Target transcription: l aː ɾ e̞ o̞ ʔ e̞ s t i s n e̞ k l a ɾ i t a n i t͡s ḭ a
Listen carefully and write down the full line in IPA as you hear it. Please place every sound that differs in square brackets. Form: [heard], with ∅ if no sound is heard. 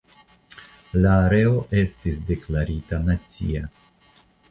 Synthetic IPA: l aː ɾ e̞ o̞ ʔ e̞ s t i s [d] e̞ k l a ɾ i t a n [a] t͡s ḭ a